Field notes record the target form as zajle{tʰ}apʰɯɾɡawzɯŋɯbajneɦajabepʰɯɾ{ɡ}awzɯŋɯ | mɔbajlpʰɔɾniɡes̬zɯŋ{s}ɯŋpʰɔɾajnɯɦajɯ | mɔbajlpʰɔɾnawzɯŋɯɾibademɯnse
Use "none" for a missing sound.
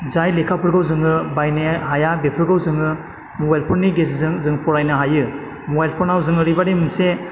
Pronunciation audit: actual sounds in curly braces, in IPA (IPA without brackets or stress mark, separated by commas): kʰ, ɡ, z